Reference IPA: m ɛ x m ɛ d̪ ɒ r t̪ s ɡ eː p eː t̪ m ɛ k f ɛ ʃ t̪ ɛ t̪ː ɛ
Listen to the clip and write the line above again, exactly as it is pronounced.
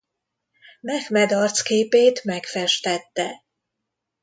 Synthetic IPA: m ɛ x m ɛ d̪ ɒ r t̪ s k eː p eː t̪ m ɛ k f ɛ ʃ t̪ ɛ t̪ː ɛ